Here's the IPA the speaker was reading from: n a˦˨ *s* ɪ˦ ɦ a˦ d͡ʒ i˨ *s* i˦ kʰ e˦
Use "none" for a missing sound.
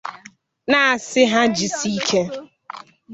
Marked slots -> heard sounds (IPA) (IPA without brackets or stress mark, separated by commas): s, s